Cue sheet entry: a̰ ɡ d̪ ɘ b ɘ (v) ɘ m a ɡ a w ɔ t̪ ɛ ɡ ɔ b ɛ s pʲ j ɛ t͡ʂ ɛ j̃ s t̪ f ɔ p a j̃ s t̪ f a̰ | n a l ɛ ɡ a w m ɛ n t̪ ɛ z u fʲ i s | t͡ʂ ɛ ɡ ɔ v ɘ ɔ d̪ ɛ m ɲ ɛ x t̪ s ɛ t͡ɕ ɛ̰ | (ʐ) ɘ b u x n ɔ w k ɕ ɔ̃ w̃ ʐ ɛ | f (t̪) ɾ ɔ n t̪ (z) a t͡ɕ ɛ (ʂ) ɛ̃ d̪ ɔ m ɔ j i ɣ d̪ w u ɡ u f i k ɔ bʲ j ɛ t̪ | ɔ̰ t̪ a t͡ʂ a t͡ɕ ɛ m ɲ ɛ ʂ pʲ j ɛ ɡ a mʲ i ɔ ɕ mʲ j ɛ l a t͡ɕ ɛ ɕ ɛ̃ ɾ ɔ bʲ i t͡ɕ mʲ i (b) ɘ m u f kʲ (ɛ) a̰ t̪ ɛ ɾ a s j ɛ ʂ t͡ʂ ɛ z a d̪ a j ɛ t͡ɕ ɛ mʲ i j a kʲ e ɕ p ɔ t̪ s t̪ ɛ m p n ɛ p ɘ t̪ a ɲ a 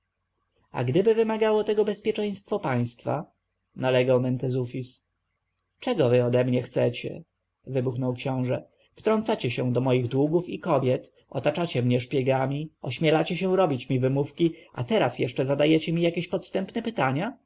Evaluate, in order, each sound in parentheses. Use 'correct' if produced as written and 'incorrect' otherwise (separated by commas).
correct, incorrect, correct, incorrect, incorrect, incorrect, incorrect